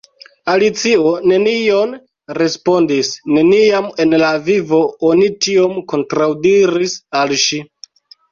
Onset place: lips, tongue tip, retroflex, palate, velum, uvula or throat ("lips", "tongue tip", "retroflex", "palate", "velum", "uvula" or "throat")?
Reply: tongue tip